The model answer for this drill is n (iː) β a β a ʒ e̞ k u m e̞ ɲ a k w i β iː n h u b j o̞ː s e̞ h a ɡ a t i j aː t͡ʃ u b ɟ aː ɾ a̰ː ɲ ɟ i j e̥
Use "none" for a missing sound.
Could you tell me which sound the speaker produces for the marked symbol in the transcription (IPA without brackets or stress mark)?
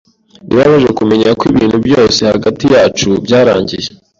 i